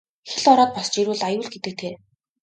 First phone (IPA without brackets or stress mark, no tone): x